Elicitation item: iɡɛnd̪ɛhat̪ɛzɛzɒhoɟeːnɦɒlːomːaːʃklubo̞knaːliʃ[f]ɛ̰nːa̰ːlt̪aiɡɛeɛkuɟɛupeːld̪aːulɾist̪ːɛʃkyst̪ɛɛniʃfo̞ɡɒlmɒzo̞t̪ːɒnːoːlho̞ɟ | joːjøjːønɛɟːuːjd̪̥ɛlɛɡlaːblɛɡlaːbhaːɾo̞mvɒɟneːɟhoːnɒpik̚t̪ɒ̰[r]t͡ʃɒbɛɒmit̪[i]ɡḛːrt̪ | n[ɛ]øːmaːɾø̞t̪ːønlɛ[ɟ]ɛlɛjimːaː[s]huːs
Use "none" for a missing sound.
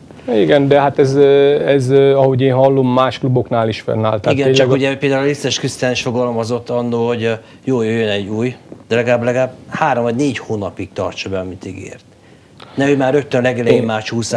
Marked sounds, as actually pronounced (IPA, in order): f, r, i, ɛ, ɡ, ʃ

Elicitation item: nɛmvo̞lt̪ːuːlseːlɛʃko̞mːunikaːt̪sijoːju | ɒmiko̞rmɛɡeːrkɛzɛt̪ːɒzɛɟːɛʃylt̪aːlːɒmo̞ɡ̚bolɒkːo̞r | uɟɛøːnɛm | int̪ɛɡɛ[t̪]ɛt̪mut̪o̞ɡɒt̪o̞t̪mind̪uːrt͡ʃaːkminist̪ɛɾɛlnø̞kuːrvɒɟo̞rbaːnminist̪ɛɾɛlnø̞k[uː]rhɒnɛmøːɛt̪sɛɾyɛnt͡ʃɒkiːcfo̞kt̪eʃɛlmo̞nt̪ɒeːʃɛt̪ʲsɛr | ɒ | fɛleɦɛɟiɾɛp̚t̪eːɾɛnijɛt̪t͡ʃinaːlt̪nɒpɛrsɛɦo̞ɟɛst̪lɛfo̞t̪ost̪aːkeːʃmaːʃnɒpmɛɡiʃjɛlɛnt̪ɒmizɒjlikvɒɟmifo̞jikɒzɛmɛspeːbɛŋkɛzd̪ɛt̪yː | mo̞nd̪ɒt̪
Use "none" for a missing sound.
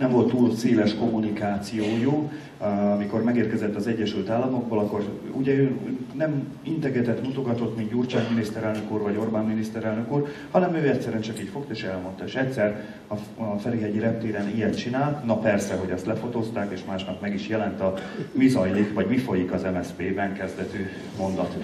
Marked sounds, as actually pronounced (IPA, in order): t̪, uː

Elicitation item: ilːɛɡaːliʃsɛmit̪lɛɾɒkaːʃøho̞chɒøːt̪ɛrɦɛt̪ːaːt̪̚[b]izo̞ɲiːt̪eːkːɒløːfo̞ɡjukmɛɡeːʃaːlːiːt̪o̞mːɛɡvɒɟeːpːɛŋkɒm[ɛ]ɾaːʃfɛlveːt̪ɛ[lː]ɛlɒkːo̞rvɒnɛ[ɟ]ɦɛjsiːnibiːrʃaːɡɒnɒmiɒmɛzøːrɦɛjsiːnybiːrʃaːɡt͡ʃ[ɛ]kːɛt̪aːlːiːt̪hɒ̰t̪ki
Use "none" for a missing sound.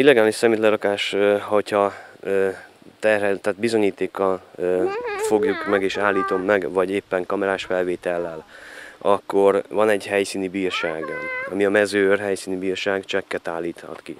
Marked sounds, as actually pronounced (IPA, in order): b, ɛ, lː, ɟ, ɛ

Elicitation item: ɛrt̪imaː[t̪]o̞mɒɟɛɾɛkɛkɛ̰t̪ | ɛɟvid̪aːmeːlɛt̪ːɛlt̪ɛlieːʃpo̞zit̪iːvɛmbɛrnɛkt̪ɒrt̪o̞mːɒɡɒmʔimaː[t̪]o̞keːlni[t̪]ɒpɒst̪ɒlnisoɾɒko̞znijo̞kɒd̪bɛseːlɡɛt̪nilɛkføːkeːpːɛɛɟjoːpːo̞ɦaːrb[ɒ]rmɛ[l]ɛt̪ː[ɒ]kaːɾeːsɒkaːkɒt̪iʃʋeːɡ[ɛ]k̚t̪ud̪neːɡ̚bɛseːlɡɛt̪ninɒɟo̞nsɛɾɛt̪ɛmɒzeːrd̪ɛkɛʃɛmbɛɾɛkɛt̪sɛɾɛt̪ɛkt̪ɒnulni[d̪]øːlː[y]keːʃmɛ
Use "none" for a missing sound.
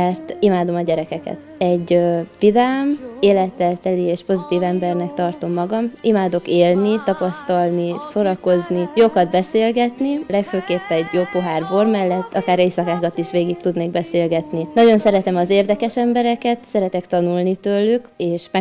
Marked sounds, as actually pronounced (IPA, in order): d̪, d̪, t̪, o, lː, ɒ, i, t̪, y

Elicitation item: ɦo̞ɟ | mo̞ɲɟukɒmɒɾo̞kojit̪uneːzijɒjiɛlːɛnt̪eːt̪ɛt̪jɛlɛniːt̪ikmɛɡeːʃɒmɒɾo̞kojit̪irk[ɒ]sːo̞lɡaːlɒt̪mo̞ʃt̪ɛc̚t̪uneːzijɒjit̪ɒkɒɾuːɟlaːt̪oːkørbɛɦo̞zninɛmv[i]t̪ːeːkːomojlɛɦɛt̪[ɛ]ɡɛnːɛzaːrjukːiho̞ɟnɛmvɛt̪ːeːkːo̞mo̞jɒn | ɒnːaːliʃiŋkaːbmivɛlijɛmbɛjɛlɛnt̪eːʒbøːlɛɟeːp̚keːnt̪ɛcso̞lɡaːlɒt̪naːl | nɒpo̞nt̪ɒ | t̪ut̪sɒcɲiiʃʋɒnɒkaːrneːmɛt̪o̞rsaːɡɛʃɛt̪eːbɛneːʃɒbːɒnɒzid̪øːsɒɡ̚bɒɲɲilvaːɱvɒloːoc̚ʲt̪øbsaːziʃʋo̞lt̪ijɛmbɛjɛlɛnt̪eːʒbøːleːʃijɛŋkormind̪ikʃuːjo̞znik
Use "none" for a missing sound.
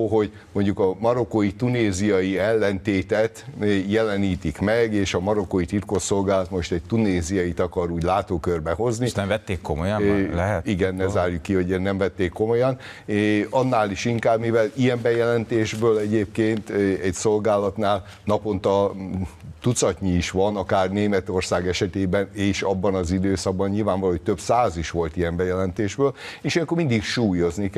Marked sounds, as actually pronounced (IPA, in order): o, ɛ, i

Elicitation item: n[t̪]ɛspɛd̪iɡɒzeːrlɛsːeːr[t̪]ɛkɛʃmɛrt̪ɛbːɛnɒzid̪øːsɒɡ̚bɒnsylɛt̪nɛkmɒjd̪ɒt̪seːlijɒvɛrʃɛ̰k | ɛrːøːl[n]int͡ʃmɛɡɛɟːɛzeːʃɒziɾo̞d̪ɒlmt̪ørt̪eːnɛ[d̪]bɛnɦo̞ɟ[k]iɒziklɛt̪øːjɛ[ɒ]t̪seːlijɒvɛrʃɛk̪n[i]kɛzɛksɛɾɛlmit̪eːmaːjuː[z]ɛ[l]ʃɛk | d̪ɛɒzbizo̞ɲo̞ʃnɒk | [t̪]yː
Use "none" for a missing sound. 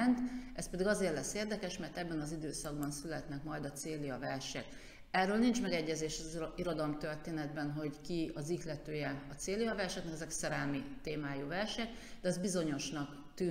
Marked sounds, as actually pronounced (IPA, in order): t̪, d̪, n, d̪, k, ɒ, ɛ, v, r, t̪

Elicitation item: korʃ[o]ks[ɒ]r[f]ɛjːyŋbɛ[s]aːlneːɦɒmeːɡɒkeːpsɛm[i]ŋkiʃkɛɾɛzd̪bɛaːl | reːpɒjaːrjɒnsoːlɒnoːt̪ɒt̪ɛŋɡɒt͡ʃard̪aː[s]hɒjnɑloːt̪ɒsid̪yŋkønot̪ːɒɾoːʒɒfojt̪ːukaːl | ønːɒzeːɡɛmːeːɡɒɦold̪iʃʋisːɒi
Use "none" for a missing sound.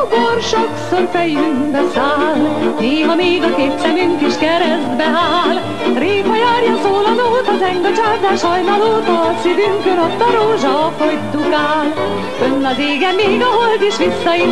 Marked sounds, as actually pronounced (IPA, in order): o, o, f, s, y, ʃ

